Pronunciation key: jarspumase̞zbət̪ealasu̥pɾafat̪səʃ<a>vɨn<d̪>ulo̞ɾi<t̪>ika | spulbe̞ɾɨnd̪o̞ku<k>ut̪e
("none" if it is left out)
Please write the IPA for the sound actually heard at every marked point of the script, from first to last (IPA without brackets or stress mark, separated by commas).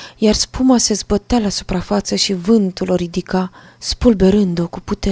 i, t̪, d̪, p